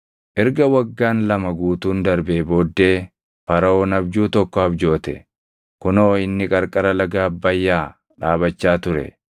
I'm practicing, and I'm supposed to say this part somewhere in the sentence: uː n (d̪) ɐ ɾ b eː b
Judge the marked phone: correct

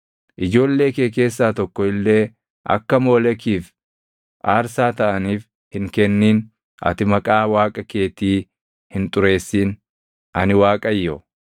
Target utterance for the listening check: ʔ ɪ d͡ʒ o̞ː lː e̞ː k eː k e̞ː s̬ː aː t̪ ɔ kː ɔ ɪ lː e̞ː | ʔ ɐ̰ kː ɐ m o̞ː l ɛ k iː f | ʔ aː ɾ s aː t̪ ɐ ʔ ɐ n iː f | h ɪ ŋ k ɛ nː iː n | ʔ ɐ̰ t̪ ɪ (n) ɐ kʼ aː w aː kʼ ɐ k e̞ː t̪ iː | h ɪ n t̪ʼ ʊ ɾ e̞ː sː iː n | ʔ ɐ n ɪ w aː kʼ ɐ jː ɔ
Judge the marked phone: incorrect: m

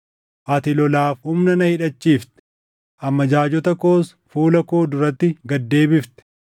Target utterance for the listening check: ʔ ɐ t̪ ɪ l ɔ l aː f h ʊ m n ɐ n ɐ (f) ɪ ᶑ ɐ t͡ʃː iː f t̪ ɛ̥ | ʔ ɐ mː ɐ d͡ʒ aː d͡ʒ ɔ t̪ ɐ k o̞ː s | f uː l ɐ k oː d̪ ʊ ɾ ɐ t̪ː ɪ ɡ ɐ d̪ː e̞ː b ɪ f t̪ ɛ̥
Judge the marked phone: incorrect: h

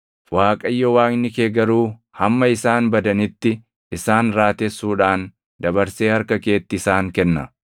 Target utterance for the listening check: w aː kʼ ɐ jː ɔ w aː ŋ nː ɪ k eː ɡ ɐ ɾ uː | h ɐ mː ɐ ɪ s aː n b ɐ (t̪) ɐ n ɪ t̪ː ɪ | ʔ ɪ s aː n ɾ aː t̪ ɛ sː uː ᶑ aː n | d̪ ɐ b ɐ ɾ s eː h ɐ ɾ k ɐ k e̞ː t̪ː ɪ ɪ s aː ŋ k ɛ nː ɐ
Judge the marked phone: incorrect: d̪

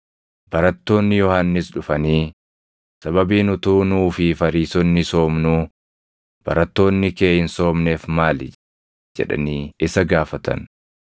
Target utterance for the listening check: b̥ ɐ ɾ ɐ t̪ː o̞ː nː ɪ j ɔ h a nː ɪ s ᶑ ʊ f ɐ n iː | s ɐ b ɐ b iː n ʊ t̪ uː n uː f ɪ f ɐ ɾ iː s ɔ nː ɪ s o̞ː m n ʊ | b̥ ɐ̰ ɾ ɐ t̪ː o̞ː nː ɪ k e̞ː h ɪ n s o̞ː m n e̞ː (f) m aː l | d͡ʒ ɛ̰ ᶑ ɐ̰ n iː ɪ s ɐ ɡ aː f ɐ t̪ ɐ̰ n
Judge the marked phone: correct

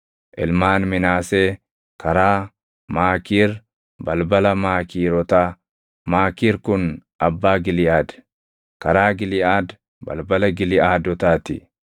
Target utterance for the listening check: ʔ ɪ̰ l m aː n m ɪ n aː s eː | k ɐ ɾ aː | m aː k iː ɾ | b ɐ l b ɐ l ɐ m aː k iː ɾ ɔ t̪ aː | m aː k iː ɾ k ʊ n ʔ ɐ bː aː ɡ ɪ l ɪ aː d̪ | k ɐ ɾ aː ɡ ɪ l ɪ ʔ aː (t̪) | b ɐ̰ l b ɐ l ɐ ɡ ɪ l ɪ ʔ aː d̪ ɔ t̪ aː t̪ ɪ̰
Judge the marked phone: incorrect: d̪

